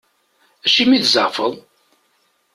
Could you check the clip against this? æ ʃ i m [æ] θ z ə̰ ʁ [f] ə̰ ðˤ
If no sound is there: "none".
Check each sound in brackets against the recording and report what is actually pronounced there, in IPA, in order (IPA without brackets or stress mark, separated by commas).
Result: i, f